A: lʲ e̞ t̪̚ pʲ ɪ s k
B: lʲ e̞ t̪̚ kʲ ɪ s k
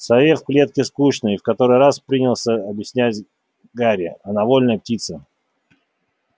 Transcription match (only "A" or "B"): B